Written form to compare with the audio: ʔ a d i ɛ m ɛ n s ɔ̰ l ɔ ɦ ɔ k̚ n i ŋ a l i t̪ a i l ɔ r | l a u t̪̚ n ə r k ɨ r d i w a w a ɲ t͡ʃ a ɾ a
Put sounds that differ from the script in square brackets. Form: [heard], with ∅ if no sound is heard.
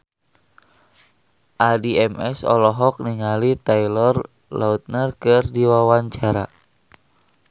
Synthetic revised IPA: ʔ a d i ɛ m ɛ [∅] s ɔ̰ l ɔ ɦ ɔ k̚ n i ŋ a l i t̪ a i l ɔ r | l a u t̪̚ n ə r k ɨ r d i w a w a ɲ t͡ʃ a ɾ a